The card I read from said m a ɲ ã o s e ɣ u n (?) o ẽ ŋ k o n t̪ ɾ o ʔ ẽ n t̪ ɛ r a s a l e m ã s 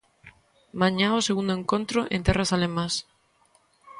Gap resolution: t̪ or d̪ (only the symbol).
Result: d̪